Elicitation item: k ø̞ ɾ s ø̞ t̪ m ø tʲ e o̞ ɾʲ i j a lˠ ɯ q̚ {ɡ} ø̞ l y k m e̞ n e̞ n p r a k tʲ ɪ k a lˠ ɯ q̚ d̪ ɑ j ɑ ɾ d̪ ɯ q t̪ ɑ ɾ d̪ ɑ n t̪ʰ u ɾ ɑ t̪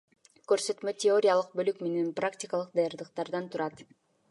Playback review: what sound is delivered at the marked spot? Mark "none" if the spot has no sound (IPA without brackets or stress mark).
b